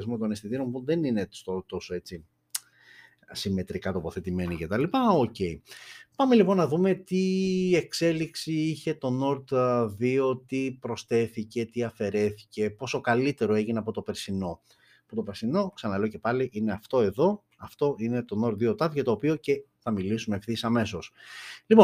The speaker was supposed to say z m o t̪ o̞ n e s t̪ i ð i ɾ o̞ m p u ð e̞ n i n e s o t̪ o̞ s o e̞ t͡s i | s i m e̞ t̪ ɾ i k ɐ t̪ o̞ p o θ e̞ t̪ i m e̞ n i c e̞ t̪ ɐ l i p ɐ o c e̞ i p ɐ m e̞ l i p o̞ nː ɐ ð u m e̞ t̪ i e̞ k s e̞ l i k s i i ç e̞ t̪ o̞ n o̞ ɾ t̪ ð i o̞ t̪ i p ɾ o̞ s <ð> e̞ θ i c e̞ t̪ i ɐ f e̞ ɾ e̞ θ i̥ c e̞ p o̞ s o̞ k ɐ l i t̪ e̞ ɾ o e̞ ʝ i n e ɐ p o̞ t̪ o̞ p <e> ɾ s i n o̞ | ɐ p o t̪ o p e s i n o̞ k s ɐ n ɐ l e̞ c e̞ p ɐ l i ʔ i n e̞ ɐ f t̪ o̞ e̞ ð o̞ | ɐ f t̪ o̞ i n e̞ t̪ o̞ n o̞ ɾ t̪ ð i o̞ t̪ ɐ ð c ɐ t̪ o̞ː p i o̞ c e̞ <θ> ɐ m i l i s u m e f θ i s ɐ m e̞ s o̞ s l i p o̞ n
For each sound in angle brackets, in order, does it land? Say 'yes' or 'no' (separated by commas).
no, yes, yes